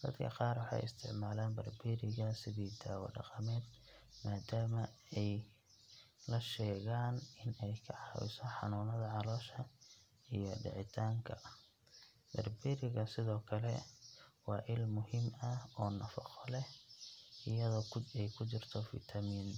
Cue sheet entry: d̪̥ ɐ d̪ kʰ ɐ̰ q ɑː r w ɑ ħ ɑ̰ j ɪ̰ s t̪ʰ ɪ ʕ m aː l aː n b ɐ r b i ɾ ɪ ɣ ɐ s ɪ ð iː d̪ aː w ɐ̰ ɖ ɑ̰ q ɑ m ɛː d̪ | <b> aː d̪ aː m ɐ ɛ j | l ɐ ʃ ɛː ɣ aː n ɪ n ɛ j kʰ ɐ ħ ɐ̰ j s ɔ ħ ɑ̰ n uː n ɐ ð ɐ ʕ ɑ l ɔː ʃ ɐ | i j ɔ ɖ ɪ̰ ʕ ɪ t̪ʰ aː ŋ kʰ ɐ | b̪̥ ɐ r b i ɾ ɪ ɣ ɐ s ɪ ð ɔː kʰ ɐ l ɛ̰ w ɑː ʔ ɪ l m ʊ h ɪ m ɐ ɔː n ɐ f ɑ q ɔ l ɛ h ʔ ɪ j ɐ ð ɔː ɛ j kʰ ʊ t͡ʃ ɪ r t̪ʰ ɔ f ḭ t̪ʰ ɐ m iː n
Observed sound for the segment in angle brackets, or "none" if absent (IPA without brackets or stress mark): m